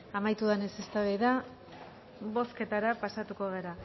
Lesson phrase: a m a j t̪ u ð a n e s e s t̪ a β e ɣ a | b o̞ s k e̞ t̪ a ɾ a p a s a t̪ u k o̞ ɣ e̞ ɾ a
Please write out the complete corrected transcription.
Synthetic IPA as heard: a m a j t̪ u ð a n e s e s t̪ a β e ð a | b o̞ s k e̞ t̪ a ɾ a p a s a t̪ u k o̞ ɣ e̞ ɾ a

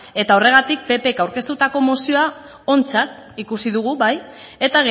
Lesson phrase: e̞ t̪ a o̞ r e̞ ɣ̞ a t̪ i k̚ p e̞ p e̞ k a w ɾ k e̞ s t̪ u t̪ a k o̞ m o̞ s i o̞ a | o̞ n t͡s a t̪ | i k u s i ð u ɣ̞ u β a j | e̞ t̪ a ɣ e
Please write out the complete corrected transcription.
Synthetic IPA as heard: e̞ t̪ a o̞ r e̞ ɣ̞ a t̪ i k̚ p e̞ p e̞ k a w ɾ k e̞ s t̪ u t̪ a k o̞ m o̞ s i o̞ a | o̞ n t͡s a t̪ | i k u s i ð u ɣ̞ u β a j | e̞ t̪ a ɣ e

